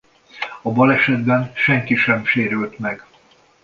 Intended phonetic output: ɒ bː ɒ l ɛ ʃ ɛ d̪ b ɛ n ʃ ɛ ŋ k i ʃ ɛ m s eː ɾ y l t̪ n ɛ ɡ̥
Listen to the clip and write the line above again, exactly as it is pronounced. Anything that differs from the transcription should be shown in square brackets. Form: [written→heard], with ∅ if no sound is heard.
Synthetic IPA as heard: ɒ [bː→b] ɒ l ɛ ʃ ɛ d̪ b ɛ n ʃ ɛ ŋ k i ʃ ɛ m [s→ʃ] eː ɾ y l t̪ [n→m] ɛ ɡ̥